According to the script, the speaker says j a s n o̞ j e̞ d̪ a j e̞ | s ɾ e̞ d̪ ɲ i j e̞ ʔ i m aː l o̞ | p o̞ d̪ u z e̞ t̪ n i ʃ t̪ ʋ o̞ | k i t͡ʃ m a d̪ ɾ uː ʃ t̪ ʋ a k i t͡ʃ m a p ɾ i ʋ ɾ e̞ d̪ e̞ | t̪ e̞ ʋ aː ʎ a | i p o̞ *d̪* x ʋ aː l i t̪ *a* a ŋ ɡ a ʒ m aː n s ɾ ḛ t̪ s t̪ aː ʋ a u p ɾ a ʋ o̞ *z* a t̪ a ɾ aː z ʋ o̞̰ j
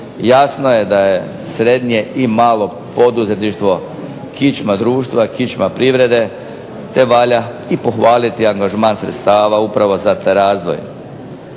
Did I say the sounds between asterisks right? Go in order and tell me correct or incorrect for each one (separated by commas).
incorrect, incorrect, correct